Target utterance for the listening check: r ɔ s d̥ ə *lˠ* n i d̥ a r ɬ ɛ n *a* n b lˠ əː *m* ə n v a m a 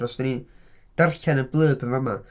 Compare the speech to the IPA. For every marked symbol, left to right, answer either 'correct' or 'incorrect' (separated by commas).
incorrect, incorrect, incorrect